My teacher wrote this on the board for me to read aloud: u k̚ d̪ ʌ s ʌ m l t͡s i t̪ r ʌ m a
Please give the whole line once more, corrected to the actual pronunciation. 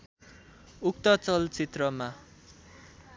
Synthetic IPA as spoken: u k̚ t̪ ʌ t͡s ʌ l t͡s i t̪ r ʌ m a